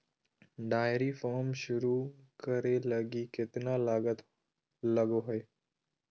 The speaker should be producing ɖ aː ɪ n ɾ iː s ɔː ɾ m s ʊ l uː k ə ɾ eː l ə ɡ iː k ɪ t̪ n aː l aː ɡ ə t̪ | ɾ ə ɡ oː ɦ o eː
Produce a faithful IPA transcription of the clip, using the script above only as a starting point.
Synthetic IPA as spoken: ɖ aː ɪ ɾ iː f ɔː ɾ m ʃ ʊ ɾ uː k ə ɾ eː l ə ɡ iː k ɪ t̪ n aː l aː ɡ ə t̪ | l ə ɡ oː ɦ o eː